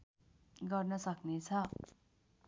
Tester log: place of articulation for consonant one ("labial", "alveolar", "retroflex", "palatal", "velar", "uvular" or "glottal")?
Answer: velar